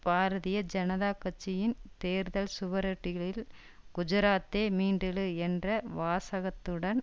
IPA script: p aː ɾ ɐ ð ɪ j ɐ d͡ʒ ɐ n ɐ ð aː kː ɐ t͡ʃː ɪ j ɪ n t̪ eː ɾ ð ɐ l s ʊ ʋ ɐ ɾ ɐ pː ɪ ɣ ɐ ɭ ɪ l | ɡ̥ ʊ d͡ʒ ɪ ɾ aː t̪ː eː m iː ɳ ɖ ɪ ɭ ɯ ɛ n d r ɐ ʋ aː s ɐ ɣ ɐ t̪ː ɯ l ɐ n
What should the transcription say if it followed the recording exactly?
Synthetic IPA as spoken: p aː ɾ ɐ ð ɪ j ɐ d͡ʒ ɐ n ɐ ð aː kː ɐ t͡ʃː ɪ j ɪ n t̪ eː ɾ ð ɐ l s ʊ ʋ ɐ ɾ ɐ ʈː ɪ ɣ ɐ ɭ ɪ l | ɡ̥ ʊ d͡ʒ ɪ ɾ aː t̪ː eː m iː ɳ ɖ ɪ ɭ ɯ ɛ n d r ɐ ʋ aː s ɐ ɣ ɐ t̪ː ɯ ɽ ɐ n